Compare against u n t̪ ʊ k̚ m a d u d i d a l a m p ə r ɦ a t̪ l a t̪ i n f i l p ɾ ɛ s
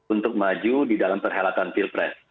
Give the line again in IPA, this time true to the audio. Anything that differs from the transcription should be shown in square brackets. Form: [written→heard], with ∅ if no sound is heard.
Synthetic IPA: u n t̪ ʊ k̚ m a [d→d͡ʒ] u d i d a l a m p ə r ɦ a [t̪→∅] l a t̪ [i→a] n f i l p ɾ ɛ s